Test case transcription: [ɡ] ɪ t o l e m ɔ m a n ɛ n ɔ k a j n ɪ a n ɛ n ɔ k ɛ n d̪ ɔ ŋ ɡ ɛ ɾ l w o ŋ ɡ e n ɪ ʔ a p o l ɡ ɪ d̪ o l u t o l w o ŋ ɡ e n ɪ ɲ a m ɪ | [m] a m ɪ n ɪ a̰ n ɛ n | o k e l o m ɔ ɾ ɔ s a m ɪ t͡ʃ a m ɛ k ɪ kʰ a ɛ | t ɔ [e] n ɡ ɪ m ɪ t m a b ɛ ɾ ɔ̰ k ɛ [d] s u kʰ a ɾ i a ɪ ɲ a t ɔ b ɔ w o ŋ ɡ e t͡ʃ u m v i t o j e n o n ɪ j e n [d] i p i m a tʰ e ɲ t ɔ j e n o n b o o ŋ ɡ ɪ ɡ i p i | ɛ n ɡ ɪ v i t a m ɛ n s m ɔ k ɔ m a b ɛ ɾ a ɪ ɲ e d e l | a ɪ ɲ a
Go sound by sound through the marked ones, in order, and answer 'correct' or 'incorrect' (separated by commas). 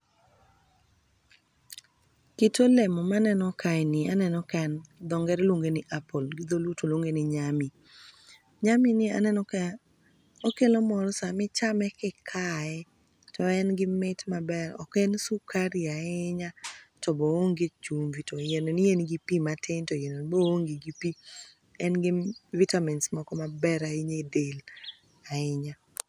incorrect, incorrect, incorrect, incorrect, incorrect